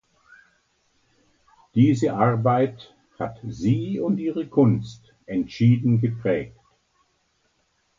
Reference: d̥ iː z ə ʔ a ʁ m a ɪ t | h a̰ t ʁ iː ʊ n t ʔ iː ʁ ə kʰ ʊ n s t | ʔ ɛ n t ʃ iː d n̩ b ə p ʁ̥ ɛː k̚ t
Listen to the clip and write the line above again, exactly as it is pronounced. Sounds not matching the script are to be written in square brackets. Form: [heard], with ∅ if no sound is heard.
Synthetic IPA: d̥ iː z ə ʔ a ʁ [b] a ɪ t | h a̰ t [z] iː ʊ n t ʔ iː ʁ ə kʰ ʊ n s t | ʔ ɛ n t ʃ iː d n̩ [ɡ] ə p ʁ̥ ɛː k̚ t